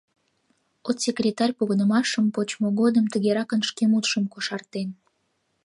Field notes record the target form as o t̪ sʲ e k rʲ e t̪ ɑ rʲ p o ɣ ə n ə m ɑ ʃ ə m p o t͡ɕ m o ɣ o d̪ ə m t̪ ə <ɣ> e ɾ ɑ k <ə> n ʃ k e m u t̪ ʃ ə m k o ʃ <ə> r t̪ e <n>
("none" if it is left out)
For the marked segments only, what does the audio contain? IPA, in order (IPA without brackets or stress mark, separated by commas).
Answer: ɣ, ə, ɑ, n